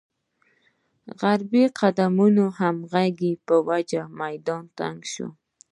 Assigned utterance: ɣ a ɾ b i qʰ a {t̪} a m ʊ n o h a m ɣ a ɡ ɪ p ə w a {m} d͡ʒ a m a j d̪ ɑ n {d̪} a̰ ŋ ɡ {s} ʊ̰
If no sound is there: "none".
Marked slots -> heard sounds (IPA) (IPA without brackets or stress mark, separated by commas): d̪, none, t̪, ʃ